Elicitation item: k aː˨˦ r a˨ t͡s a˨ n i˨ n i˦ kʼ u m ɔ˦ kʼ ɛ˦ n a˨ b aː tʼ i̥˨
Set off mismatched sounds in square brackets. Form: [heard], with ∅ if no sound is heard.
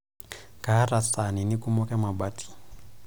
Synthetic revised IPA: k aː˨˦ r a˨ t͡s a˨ n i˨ n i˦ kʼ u m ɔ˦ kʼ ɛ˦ [m] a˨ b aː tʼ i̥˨

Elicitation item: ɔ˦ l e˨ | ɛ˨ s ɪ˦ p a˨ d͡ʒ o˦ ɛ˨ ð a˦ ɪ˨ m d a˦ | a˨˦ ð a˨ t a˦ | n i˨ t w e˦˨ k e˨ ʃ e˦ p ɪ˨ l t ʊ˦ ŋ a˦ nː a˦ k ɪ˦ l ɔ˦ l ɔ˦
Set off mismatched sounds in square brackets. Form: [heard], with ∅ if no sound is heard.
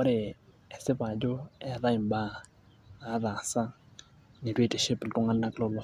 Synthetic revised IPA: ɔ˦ [ɾ] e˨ | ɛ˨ s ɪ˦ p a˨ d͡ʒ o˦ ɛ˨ ð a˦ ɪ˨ m [b] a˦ | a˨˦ ð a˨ [s] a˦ | n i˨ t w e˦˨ [t] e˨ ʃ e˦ p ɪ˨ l t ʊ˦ ŋ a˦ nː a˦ k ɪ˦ l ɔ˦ l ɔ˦

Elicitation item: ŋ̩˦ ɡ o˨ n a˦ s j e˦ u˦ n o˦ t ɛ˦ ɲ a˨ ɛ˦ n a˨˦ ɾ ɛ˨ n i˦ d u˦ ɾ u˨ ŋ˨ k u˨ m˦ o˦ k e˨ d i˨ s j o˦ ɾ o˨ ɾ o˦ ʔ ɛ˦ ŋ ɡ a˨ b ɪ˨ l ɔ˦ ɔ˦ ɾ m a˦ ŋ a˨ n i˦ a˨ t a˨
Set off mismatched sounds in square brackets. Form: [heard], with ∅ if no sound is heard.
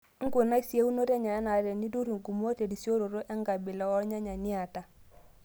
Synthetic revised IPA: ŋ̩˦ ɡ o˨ n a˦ s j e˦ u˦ n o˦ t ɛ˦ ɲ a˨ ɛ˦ n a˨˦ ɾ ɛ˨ n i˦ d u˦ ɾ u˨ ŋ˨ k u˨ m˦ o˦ [t] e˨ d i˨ s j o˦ ɾ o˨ ɾ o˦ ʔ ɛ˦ ŋ ɡ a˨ b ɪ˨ l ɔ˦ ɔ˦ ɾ [ɲ] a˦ [ɲ] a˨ n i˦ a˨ t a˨

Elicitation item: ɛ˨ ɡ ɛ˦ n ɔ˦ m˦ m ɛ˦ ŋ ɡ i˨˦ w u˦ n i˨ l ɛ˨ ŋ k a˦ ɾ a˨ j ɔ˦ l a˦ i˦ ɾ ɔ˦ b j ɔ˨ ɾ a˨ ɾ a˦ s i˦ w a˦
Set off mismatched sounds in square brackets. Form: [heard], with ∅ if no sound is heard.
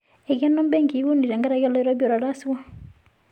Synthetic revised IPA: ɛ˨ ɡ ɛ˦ n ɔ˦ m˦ [b] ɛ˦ ŋ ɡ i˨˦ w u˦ n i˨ [ɾ] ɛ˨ ŋ [ɡ] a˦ ɾ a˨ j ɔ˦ l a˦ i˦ ɾ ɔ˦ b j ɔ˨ ɾ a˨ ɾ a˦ s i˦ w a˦

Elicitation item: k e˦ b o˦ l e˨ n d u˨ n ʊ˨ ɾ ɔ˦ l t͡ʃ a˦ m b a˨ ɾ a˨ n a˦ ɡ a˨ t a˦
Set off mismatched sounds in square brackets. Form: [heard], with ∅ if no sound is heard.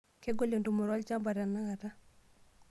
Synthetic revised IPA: k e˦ [ɡ] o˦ l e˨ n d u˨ [m] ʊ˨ ɾ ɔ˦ l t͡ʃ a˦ m b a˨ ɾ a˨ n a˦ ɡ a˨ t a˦

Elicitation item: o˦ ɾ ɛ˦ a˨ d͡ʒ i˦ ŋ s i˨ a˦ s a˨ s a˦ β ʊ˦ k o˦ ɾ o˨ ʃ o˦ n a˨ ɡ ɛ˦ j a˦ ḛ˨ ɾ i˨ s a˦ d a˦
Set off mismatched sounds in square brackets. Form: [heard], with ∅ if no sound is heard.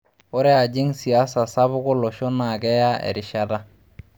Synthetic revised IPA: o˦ ɾ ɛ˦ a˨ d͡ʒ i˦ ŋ s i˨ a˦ s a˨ s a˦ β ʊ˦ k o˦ [l] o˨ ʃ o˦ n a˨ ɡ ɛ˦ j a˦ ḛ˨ ɾ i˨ [ʃ] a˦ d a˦

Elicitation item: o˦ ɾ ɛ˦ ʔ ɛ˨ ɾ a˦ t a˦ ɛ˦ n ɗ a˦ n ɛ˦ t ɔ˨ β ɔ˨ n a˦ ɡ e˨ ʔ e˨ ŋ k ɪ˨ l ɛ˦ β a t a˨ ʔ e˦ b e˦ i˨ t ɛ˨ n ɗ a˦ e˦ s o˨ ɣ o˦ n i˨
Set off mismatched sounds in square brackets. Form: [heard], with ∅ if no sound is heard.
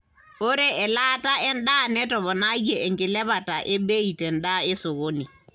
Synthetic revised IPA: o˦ ɾ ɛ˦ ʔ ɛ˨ [l] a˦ t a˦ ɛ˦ n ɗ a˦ n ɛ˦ t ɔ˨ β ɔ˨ n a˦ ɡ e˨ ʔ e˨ ŋ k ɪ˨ l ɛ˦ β a t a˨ ʔ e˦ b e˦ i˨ t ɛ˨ n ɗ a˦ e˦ s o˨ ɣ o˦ n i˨

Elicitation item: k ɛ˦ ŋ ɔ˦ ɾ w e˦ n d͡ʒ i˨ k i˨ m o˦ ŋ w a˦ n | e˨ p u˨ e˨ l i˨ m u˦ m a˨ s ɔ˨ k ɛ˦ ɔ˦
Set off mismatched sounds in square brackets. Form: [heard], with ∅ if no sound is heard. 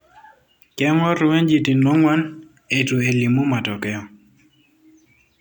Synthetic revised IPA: k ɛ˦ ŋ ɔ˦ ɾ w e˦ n d͡ʒ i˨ [t] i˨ [n] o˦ ŋ w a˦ n | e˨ [t] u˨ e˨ l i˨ m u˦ m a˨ [t] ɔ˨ k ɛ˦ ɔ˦

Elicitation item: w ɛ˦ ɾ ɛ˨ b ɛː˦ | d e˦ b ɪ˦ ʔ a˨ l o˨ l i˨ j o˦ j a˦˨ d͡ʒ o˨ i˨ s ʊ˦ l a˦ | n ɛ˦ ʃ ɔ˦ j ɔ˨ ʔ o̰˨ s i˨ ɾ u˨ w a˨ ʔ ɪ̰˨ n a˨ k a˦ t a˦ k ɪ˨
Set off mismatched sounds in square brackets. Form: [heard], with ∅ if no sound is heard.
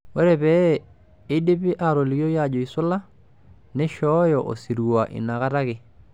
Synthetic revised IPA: w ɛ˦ ɾ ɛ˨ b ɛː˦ | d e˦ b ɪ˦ ʔ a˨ [ɾ] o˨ l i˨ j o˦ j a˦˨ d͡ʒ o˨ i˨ s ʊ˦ l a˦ | n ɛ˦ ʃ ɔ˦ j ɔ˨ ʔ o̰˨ s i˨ ɾ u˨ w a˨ ʔ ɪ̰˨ n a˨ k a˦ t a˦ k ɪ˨

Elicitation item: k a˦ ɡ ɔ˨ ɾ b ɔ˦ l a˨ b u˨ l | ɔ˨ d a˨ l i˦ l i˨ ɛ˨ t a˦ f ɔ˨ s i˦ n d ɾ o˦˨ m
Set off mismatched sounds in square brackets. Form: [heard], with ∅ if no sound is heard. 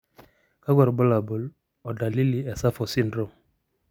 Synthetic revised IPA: k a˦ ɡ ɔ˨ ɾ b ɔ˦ l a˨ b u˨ l | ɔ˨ d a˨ l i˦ l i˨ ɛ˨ [s] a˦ f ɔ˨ s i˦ n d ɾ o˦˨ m

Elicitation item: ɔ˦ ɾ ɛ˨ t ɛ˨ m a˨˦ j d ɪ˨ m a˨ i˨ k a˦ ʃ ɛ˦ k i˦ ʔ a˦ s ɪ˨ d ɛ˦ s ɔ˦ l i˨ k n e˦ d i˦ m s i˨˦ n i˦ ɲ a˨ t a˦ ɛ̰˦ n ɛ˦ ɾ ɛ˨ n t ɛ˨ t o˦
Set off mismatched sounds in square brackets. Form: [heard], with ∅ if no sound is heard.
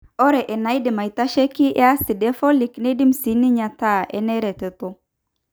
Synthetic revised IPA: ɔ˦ ɾ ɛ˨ [ʔ] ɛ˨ [n] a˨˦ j d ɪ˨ m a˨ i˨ [t] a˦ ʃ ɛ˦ k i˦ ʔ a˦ s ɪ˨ d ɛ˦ [f] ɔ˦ l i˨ k n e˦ d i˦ m s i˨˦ n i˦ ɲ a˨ t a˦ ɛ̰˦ n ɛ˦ ɾ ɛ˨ [∅] t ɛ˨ t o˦

